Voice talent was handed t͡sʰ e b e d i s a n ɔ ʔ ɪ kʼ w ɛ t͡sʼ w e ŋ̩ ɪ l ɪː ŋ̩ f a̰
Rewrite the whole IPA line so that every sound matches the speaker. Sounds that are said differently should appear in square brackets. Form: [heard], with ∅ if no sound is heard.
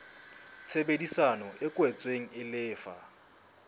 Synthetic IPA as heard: t͡sʰ e b e d i s a n ɔ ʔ ɪ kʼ w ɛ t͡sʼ w e ŋ̩ ɪ l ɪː [∅] f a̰